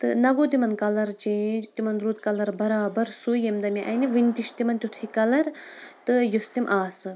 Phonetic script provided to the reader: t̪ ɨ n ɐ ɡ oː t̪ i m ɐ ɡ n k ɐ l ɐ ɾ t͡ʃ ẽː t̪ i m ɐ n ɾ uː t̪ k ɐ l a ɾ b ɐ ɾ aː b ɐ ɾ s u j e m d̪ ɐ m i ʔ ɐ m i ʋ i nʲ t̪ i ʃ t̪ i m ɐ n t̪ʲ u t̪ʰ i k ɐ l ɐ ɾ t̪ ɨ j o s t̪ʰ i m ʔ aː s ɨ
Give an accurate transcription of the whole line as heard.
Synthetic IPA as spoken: t̪ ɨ n ɐ ɡ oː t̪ i m ɐ n k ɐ l ɐ ɾ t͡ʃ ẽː t̪ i m ɐ n ɾ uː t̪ k ɐ l ɐ ɾ b ɐ ɾ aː b ɐ ɾ s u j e m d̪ ɐ m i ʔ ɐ n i ʋ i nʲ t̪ i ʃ t̪ i m ɐ n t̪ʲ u t̪ʰ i k ɐ l ɐ ɾ t̪ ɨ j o s t̪ i m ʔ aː s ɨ